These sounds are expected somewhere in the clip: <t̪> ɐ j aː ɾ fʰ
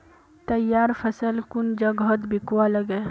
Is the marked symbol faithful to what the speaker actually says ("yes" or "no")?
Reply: yes